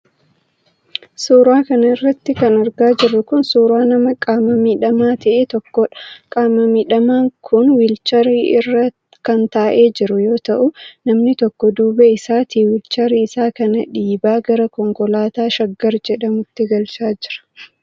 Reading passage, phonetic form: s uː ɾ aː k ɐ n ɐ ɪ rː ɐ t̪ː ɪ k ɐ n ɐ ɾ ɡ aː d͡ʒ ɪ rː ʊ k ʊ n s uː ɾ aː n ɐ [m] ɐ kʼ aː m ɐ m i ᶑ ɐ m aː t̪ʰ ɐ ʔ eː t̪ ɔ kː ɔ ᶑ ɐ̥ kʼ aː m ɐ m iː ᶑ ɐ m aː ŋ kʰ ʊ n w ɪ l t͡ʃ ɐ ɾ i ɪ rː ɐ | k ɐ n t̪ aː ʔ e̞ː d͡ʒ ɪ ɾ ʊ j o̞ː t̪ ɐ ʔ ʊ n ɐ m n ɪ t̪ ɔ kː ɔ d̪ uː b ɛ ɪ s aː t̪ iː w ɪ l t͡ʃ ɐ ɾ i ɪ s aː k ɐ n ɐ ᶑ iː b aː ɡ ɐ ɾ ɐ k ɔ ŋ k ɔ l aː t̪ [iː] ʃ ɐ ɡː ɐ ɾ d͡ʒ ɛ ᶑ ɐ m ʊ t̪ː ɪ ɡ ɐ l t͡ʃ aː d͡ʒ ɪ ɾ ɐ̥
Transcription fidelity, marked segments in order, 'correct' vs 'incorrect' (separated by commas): correct, incorrect